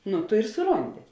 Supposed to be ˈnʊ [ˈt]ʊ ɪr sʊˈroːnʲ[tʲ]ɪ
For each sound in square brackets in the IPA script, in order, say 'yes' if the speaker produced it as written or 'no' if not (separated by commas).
yes, no